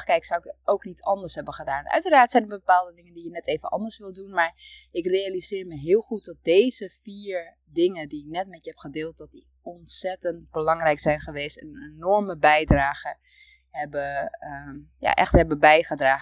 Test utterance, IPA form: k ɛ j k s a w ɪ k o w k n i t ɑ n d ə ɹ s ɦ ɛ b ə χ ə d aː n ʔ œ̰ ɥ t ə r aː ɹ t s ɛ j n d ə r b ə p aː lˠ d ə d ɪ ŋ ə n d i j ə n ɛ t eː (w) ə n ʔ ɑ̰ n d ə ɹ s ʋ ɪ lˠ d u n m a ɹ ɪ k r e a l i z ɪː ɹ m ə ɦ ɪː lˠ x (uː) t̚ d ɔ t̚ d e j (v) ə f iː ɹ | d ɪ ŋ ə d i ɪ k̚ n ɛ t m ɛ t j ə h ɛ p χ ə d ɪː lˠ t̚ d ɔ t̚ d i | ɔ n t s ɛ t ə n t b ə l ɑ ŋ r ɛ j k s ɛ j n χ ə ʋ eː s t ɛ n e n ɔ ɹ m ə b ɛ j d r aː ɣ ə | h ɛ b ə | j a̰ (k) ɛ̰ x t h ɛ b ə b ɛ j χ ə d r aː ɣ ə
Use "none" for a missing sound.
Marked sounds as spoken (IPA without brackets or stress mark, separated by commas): v, u, z, ʔ